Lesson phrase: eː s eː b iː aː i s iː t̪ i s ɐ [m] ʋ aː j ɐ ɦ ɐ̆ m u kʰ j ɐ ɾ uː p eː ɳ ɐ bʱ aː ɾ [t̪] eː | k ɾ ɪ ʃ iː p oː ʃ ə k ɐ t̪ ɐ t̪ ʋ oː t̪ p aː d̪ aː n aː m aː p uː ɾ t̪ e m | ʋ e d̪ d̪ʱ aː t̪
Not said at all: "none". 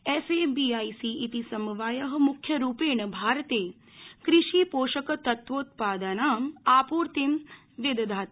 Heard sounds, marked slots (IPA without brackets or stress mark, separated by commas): m, t̪